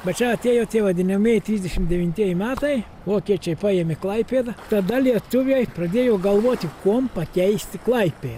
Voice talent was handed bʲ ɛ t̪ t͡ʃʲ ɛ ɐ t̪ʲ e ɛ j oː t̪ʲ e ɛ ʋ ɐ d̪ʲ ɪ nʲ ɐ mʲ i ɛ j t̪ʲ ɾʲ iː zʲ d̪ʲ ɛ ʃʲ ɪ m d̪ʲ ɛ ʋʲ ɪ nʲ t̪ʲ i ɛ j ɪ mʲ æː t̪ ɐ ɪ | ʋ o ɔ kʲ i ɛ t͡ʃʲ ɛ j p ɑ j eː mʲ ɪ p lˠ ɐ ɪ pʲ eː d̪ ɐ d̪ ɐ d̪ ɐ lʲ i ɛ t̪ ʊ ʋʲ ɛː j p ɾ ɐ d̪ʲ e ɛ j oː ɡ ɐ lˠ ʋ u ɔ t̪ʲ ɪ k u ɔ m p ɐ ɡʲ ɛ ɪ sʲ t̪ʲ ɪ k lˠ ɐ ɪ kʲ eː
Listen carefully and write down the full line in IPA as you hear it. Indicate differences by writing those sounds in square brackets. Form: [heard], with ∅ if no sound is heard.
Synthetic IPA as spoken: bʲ ɛ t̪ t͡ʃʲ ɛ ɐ t̪ʲ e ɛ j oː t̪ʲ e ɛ ʋ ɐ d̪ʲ ɪ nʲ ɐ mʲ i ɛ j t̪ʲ ɾʲ iː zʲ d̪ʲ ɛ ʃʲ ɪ m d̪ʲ ɛ ʋʲ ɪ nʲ t̪ʲ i ɛ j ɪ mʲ æː t̪ ɐ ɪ | ʋ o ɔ kʲ i ɛ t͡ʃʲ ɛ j p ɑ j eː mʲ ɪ [k] lˠ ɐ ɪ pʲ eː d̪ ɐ [t̪] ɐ d̪ ɐ lʲ i ɛ t̪ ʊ ʋʲ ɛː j p ɾ ɐ d̪ʲ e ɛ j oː ɡ ɐ lˠ ʋ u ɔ t̪ʲ ɪ k u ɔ m p ɐ [kʲ] ɛ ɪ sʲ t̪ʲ ɪ k lˠ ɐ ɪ [pʲ] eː

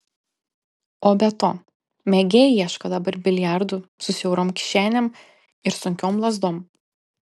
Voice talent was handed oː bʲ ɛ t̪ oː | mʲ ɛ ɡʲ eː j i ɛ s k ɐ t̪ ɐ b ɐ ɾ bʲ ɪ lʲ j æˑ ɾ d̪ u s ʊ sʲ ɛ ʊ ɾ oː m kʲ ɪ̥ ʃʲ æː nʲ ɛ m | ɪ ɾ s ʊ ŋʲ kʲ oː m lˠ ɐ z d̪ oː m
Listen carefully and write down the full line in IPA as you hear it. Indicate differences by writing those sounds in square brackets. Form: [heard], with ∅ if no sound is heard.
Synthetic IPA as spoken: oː bʲ ɛ t̪ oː | mʲ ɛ ɡʲ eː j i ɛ [ʃ] k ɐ [d̪] ɐ b ɐ ɾ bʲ ɪ lʲ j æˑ ɾ d̪ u s ʊ sʲ ɛ ʊ ɾ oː m kʲ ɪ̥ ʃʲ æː nʲ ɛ m | ɪ ɾ s ʊ ŋʲ kʲ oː m lˠ ɐ z d̪ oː m

